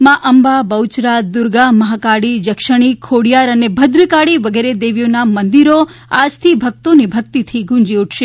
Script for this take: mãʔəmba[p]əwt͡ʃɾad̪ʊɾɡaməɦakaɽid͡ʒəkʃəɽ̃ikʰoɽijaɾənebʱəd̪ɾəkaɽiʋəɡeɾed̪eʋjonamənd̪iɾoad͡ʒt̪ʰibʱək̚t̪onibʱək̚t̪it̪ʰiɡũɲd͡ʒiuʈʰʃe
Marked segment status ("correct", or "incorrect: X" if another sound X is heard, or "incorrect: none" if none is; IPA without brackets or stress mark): incorrect: b